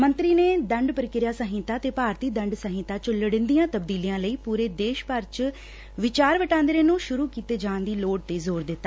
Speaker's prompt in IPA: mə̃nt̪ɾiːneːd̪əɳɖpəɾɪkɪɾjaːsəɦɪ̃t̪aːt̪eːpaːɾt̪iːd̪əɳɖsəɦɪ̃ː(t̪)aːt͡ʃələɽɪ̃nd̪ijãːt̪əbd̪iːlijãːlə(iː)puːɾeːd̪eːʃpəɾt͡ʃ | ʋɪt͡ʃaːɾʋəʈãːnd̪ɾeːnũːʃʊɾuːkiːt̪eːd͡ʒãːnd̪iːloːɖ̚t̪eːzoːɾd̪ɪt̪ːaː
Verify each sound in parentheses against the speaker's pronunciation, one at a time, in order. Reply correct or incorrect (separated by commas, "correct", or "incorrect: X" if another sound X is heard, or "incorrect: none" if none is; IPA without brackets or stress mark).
correct, correct